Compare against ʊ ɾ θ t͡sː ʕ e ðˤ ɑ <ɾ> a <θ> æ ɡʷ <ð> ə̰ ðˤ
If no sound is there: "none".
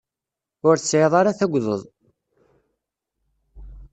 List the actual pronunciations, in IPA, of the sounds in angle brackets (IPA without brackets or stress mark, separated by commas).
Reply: ɾ, θ, ð